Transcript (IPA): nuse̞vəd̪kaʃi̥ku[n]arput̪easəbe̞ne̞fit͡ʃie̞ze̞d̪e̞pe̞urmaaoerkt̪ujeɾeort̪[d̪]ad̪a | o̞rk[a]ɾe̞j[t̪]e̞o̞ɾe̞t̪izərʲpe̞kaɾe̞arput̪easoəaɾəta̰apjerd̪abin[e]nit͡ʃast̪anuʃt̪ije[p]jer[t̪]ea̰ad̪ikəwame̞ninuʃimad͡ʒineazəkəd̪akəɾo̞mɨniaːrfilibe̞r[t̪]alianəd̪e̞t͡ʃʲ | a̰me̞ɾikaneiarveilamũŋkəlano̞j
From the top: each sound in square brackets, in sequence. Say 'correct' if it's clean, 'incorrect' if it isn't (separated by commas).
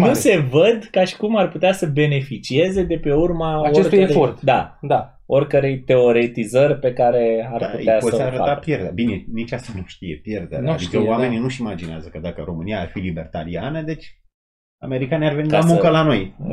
incorrect, correct, incorrect, correct, correct, correct, incorrect, correct